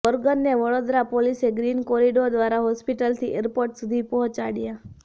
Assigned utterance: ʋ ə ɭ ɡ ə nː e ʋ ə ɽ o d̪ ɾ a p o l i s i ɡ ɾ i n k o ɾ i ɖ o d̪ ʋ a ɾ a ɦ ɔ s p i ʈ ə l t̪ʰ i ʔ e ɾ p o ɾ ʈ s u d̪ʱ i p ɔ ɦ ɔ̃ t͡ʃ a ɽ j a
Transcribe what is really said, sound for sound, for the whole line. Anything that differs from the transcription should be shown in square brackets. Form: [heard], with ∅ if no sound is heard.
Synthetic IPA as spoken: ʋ ə [ɾ] ɡ ə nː e ʋ ə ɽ o d̪ ɾ a p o l i s [e] ɡ ɾ i n k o ɾ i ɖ o d̪ ʋ a ɾ a ɦ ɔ s p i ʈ ə l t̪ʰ i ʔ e ɾ p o ɾ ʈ s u d̪ʱ i p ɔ ɦ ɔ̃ t͡ʃ a ɽ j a